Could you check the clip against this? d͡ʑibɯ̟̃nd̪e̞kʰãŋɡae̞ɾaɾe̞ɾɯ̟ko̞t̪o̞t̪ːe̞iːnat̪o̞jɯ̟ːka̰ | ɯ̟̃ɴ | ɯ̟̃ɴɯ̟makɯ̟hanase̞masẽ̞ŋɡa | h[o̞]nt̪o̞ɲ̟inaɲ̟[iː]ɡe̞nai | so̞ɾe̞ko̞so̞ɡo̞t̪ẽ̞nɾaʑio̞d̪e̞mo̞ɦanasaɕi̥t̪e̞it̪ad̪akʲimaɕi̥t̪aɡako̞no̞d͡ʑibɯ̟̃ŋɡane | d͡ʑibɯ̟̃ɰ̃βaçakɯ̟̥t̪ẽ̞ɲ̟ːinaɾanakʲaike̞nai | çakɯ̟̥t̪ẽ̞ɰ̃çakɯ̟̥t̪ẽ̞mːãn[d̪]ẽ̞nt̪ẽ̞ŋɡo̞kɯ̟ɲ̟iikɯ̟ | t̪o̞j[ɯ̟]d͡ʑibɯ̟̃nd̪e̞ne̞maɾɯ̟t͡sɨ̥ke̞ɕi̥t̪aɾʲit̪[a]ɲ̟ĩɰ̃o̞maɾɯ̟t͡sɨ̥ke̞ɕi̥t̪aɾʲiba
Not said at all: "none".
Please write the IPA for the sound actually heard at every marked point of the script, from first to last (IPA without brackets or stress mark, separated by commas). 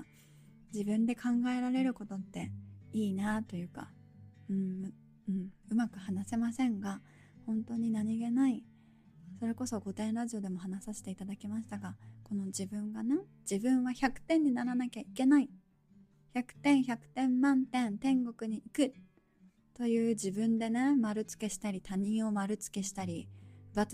õ̞, i, t̪, ɯ̟ː, a